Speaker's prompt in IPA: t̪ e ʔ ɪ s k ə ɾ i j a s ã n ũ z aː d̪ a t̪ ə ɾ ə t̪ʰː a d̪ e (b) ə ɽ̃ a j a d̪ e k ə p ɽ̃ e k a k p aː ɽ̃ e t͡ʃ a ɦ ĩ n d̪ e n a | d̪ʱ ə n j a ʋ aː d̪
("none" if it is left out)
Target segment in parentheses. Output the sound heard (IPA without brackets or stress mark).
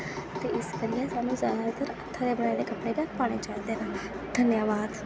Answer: b